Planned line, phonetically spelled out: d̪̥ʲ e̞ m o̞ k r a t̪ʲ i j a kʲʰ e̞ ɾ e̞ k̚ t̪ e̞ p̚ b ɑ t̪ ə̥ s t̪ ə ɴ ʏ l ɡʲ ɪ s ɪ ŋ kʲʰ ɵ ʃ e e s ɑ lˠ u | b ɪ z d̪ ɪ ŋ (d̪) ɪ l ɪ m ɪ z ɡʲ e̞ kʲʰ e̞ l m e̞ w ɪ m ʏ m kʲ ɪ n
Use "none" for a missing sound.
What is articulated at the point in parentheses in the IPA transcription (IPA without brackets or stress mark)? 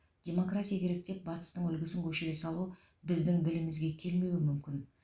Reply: d̪